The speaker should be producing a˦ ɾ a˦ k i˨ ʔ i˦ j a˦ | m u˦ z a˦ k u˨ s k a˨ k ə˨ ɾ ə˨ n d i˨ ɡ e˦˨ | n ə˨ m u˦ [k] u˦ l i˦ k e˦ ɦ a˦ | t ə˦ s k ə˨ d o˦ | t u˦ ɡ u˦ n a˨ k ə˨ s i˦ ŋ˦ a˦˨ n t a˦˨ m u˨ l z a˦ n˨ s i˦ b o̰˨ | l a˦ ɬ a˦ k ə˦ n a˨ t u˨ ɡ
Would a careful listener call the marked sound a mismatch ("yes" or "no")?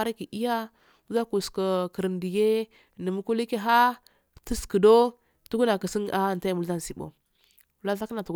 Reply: no